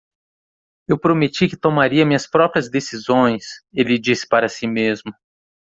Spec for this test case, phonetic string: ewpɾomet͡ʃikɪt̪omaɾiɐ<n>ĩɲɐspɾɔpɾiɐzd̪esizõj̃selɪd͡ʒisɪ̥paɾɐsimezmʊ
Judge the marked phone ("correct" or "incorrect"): incorrect